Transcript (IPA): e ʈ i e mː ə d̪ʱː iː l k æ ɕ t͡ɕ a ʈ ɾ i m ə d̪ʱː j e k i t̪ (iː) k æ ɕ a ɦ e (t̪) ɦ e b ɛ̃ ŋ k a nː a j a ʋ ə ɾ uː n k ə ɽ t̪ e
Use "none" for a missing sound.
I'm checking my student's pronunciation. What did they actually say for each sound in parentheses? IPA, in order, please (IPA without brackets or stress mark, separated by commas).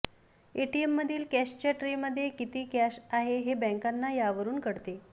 iː, none